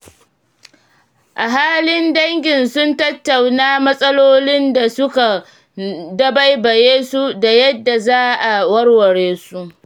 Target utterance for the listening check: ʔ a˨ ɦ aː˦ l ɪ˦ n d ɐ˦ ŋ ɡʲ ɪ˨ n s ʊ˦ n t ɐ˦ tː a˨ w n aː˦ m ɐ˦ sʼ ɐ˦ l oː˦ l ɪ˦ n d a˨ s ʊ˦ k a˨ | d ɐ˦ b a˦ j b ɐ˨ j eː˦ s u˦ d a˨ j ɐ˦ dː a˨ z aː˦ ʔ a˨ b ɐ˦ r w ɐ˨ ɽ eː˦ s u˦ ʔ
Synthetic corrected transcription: ʔ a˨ ɦ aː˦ l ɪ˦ n d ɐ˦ ŋ ɡʲ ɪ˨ n s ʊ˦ n t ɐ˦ tː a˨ w n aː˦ m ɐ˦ sʼ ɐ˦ l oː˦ l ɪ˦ n d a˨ s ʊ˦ k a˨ | d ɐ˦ b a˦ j b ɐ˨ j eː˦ s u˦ d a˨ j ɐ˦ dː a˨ z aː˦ ʔ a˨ w ɐ˦ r w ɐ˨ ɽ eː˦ s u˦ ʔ